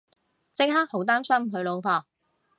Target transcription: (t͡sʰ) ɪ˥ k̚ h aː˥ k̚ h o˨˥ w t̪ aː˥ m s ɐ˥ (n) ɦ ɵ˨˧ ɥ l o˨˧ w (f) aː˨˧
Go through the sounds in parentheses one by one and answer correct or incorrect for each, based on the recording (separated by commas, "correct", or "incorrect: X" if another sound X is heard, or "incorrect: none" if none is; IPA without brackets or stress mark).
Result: incorrect: t͡s, incorrect: m, correct